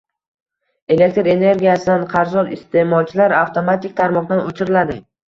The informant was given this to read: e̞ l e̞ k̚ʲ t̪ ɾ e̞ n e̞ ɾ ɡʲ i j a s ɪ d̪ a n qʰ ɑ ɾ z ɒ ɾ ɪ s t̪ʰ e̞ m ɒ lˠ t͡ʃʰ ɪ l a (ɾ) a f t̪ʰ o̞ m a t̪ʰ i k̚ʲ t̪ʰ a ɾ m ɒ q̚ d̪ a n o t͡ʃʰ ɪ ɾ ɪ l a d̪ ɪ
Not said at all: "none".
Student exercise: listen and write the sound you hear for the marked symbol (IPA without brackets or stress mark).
ɾ